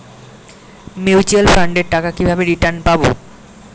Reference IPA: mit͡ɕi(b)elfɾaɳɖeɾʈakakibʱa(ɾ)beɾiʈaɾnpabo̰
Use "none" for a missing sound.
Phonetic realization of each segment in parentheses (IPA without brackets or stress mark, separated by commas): none, none